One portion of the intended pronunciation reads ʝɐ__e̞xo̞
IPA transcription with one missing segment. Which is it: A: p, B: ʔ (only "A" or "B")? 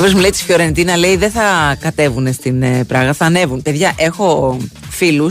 B